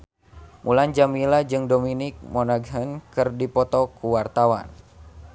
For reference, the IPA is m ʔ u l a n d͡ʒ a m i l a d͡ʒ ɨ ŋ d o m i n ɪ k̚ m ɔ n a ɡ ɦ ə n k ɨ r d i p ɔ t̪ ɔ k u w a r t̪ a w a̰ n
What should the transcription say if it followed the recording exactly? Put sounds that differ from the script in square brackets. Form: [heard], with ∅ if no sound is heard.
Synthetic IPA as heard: m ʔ u l a n d͡ʒ a m i l a d͡ʒ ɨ ŋ d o m i n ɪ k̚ m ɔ n a ɡ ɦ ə n k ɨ r d i p ɔ t̪ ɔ k u w a r t̪ a w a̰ n